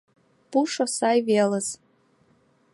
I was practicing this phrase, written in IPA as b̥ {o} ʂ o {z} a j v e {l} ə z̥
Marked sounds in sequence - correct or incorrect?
incorrect: u, incorrect: s, correct

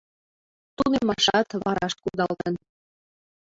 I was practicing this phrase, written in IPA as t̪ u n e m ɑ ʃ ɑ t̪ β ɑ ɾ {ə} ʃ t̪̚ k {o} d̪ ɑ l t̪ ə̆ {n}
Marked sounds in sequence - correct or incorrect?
incorrect: ɑ, incorrect: u, correct

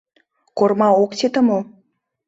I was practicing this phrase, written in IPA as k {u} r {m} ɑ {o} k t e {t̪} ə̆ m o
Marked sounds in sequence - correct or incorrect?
incorrect: o, correct, correct, correct

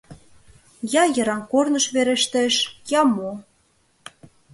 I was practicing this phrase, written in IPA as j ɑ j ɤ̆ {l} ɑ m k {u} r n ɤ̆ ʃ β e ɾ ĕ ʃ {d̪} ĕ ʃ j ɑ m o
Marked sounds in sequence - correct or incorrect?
incorrect: ɾ, incorrect: o, incorrect: t̪

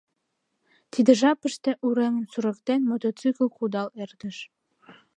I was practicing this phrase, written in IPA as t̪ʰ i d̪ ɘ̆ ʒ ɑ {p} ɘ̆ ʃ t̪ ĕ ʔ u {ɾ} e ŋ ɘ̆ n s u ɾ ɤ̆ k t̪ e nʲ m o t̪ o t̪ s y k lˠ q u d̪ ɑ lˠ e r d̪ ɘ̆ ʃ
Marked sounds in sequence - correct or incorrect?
correct, correct

